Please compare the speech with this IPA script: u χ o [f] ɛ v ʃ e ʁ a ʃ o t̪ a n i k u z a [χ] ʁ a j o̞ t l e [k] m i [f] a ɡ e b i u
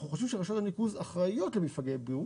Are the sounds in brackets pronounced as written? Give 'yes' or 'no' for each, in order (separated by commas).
no, yes, no, yes